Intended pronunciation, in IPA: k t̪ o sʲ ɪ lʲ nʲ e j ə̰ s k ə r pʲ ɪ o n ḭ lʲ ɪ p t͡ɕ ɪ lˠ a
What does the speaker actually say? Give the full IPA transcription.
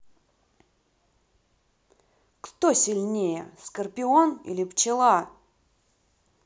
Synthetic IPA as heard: k t̪ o sʲ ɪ lʲ nʲ e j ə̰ s k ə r pʲ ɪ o n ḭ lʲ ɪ p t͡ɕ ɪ lˠ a